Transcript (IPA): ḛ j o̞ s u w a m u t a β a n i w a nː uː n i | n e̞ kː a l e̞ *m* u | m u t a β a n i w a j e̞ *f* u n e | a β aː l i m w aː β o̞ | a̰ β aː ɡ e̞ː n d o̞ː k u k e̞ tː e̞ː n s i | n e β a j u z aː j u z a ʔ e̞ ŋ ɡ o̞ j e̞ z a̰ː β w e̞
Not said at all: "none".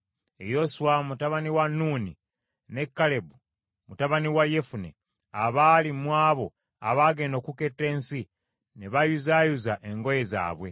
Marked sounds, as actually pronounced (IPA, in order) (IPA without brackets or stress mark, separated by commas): b, f